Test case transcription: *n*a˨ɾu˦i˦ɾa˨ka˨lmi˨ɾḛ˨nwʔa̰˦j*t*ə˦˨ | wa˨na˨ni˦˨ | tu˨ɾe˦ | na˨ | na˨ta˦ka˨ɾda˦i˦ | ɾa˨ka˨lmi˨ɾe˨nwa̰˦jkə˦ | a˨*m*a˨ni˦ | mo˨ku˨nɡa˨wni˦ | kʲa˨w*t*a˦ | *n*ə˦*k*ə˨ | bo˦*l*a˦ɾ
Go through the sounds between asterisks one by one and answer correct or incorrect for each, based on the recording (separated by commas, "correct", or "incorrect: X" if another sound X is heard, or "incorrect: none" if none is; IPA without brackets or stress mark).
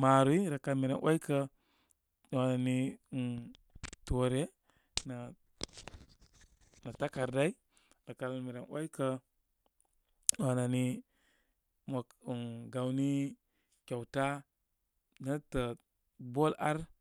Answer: incorrect: m, incorrect: k, incorrect: n, correct, correct, incorrect: t, correct